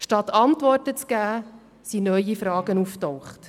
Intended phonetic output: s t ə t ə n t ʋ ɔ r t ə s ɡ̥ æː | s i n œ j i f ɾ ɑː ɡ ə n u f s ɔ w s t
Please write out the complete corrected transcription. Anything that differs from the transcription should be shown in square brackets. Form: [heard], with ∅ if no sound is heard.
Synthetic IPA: [ʃ] t [ɑ] t [ɑ] n t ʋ ɔ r t ə [t͡s] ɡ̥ æː | s i n œ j i f ɾ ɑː ɡ ə n u f [t] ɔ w [χ] t

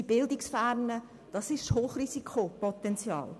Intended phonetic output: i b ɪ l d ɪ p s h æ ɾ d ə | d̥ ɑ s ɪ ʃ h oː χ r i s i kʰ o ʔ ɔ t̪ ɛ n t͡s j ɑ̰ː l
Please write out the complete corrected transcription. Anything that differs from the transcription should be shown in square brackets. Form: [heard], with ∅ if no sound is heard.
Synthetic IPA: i b ɪ l d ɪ [k] s [f] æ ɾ [n] ə | d̥ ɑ s ɪ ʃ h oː χ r i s i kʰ o [p] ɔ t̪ ɛ n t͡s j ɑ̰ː l

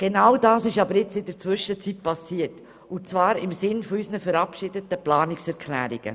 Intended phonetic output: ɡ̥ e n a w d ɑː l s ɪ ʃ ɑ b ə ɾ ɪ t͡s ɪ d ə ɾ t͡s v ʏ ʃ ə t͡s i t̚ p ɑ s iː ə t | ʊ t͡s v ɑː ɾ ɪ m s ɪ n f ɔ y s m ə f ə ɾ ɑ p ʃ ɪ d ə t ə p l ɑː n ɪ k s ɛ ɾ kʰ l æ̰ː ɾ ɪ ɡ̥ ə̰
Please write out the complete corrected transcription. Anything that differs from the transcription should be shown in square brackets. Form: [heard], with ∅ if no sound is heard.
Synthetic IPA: ɡ̥ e n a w d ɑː [∅] s ɪ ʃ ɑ b ə ɾ ɪ t͡s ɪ d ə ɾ t͡s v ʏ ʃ ə t͡s i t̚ p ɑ s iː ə t | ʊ t͡s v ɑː ɾ ɪ m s ɪ n f ɔ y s [n] ə f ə ɾ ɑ p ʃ ɪ d ə t ə p l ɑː n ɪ k s ɛ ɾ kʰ l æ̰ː ɾ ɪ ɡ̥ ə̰

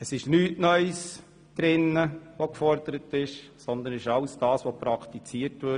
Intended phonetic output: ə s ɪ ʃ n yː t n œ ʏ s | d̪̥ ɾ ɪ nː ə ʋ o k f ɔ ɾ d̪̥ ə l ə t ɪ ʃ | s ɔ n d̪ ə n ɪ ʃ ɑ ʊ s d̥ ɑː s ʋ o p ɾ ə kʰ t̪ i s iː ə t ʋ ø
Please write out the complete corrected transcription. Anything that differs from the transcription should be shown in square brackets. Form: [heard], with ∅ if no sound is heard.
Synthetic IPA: ə s ɪ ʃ n yː t n œ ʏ s | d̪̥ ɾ ɪ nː ə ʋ o k f ɔ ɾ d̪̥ ə [ɾ] ə t ɪ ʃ | s ɔ n d̪ ə n ɪ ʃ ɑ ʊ s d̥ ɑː s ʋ o p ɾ [ɑ] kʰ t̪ i [t͡s] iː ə t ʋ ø

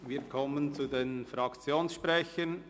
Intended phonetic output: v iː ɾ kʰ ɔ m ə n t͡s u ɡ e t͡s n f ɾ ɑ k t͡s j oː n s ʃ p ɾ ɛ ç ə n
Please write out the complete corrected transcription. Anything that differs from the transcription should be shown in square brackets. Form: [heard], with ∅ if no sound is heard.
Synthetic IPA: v iː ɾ kʰ ɔ m ə n t͡s u [d] e [∅] n f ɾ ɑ k t͡s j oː n s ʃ p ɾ ɛ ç ə n

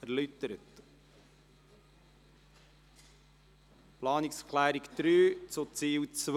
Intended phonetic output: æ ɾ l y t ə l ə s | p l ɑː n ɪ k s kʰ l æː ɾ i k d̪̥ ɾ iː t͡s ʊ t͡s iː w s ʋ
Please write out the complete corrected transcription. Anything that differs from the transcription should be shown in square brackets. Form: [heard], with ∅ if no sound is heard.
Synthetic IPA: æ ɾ l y t ə [ɾ] ə [t] | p l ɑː n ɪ k s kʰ l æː ɾ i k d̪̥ ɾ [yː] t͡s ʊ t͡s iː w [t͡s] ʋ

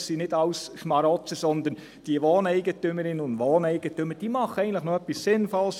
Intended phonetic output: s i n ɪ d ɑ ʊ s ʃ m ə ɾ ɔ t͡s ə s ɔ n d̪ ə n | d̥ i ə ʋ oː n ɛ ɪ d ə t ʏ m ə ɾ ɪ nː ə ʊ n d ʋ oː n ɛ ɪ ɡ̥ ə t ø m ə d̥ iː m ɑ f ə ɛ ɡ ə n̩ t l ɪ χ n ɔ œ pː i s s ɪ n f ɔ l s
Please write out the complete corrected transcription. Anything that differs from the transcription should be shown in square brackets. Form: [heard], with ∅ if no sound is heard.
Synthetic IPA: s i n ɪ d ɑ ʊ s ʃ m [ɑ] ɾ ɔ t͡s ə s ɔ n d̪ ə n | d̥ i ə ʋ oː n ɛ ɪ [ɡ] ə t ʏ m ə ɾ ɪ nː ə ʊ n d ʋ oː n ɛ ɪ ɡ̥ ə t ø m ə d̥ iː m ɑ [χ] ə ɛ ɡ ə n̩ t l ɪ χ n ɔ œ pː i s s ɪ n f ɔ l s

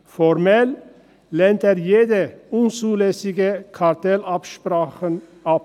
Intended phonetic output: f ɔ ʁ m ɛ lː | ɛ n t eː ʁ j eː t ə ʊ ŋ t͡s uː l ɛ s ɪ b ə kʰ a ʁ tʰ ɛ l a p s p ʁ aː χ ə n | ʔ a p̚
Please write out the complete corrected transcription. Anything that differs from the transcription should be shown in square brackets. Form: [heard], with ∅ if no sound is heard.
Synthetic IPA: f ɔ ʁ m ɛ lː | ɛ n t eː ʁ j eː [d] ə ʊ [n] t͡s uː l ɛ s ɪ [ɡ] ə kʰ a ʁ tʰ ɛ l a p [ʃ] p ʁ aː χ ə n | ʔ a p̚

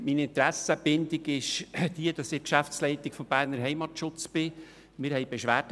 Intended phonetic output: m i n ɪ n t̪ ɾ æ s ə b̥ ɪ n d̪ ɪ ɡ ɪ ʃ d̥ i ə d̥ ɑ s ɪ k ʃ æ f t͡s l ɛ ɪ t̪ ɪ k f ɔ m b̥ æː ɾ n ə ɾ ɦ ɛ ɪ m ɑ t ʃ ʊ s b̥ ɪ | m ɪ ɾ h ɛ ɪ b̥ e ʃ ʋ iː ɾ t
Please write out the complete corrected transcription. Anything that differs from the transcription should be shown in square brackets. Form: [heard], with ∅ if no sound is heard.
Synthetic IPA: m i n ɪ n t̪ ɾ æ s ə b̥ ɪ n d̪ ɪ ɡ ɪ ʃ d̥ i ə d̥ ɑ s ɪ k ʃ æ f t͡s l ɛ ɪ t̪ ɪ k f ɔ m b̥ æː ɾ n ə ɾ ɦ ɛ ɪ m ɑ t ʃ ʊ [t͡s] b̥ ɪ | m ɪ ɾ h ɛ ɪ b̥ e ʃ ʋ [æː] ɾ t

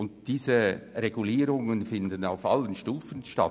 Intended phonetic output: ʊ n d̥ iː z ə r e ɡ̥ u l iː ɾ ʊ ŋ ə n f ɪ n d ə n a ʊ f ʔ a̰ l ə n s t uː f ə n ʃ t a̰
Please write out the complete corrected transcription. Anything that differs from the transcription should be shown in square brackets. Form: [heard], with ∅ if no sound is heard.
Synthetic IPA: ʊ n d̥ iː z ə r e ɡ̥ u l iː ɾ ʊ ŋ ə n f ɪ n d ə n a ʊ f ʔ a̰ l ə n [ʃ] t uː f ə n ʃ t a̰

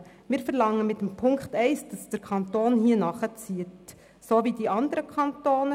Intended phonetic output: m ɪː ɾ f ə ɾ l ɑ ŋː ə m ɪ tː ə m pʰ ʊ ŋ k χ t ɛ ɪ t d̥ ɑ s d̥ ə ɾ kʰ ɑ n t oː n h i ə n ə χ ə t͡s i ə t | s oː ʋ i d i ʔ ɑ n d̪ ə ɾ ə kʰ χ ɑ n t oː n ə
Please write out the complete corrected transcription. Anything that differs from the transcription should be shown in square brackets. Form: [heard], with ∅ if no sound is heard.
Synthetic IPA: m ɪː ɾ f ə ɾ l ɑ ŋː ə m ɪ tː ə m pʰ ʊ ŋ k χ t ɛ ɪ [s] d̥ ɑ s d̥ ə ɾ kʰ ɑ n t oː n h i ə n [ɑ] χ ə t͡s i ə t | s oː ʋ i d i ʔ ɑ n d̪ ə ɾ ə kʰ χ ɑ n t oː n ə

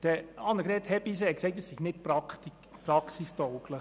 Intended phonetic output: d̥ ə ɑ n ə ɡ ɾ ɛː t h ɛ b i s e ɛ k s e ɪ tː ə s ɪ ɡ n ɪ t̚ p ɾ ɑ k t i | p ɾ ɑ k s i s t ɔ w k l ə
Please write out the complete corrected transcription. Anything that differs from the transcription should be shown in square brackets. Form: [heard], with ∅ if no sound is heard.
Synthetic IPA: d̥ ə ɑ n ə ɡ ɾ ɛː t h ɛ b i s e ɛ k s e ɪ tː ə s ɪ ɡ n ɪ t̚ p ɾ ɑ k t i | p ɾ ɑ k s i s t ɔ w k l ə

